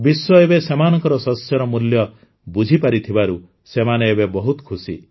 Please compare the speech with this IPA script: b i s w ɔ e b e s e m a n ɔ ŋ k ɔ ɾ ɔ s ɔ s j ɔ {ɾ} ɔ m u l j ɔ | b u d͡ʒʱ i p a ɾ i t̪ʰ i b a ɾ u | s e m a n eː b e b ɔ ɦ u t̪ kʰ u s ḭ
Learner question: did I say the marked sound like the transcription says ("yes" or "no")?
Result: yes